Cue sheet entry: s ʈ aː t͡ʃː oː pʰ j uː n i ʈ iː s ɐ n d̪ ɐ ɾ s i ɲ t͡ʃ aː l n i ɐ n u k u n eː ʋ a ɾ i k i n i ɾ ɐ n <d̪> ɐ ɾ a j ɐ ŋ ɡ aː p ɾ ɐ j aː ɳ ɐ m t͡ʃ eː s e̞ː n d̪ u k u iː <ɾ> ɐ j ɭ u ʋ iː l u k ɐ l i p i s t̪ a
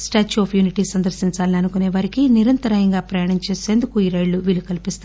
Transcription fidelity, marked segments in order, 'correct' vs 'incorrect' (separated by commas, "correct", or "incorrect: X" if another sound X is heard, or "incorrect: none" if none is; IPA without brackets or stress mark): incorrect: t̪, correct